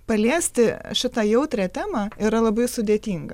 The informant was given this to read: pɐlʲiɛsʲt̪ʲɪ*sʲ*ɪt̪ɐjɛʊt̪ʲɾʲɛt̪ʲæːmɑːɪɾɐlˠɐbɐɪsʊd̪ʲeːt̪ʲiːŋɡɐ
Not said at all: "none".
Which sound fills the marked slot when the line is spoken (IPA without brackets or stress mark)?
ʃʲ